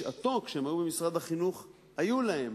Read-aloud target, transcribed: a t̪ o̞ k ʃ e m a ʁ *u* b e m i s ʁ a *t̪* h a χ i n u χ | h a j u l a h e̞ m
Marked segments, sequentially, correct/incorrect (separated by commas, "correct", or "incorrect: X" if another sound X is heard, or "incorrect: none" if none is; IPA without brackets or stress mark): correct, incorrect: d̪